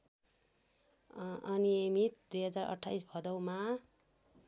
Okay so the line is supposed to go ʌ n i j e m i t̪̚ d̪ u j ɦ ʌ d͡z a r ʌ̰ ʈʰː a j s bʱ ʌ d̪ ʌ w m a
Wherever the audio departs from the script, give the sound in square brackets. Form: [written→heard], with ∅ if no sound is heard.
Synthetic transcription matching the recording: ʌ n i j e m i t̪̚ d̪ u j ɦ ʌ d͡z a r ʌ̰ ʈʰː a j s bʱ ʌ d̪ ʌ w m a